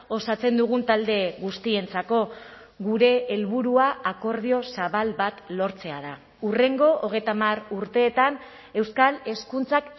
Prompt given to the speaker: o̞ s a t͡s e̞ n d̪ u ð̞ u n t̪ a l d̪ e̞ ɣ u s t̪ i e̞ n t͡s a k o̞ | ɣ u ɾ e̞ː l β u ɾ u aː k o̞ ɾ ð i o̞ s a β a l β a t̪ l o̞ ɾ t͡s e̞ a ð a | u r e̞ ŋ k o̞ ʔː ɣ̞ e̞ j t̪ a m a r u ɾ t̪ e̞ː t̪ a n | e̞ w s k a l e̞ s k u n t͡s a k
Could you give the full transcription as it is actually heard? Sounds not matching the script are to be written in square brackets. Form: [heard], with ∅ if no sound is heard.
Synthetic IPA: o̞ s a t͡s e̞ n d̪ u [ɣ̞] u n t̪ a l d̪ e̞ ɣ u s t̪ i e̞ n t͡s a k o̞ | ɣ u ɾ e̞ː l β u ɾ u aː k o̞ ɾ ð i o̞ s a β a l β a t̪ l o̞ ɾ t͡s e̞ a ð a | u r e̞ ŋ [ɡ] o̞ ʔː ɣ̞ e̞ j t̪ a m a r u ɾ t̪ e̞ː t̪ a n | e̞ w s k a l e̞ s k u n t͡s a k